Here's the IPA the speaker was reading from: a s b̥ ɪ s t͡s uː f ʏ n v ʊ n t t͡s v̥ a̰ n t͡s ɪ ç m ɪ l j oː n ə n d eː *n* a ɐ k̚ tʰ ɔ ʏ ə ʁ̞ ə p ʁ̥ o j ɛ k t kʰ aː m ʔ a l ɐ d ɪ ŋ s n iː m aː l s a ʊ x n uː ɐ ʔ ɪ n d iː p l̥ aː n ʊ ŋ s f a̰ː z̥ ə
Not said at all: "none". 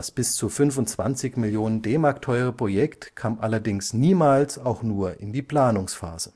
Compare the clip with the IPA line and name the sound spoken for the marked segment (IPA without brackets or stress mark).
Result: m